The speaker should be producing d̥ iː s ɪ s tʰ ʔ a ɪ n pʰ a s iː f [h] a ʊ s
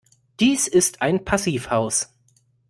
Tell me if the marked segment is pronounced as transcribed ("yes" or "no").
yes